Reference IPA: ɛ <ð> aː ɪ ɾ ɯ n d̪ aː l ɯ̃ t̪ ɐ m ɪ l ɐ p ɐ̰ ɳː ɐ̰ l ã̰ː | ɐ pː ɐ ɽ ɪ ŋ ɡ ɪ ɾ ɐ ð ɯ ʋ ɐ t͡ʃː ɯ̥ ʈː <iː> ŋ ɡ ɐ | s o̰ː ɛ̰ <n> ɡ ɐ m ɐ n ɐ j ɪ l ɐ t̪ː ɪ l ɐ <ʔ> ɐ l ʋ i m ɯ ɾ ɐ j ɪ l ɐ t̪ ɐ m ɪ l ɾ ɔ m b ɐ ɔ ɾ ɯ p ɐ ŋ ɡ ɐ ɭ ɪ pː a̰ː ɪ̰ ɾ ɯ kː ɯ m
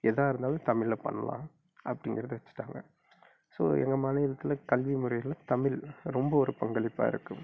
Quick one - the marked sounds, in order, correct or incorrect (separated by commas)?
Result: correct, incorrect, incorrect, incorrect